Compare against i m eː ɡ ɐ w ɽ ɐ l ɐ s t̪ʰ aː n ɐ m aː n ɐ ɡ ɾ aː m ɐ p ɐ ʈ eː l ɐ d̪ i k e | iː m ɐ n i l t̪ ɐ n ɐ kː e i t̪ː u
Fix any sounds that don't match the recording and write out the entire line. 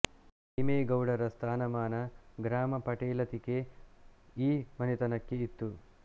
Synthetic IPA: i m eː ɡ ɐ w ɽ ɐ ɾ ɐ s t̪ʰ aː n ɐ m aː n ɐ ɡ ɾ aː m ɐ p ɐ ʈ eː l ɐ t̪ i k e | iː m ɐ n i t̪ ɐ n ɐ kː e i t̪ː u